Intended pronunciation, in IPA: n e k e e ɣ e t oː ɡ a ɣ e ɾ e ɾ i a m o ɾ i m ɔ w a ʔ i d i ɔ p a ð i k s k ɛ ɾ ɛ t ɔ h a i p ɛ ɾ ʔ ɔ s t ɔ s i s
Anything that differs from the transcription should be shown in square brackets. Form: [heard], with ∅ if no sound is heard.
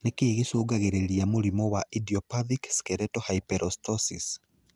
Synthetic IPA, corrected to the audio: n e k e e ɣ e [s] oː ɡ a ɣ e ɾ e ɾ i a m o ɾ i m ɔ w a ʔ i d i ɔ p a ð i k s k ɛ ɾ ɛ t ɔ h a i p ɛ ɾ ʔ ɔ s t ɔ s i s